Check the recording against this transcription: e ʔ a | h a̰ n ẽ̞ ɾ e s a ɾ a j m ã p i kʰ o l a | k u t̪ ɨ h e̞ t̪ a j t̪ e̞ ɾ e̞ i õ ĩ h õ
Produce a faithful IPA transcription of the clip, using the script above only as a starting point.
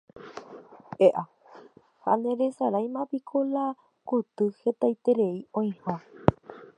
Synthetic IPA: e ʔ a | h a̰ n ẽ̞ ɾ e s a ɾ a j m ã p i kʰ o l a | k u t̪ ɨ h e̞ t̪ a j t̪ e̞ ɾ e̞ i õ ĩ h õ